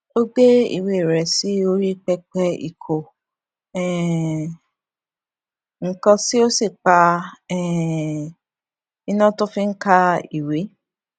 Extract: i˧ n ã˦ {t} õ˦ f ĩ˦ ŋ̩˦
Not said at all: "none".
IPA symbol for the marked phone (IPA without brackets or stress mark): t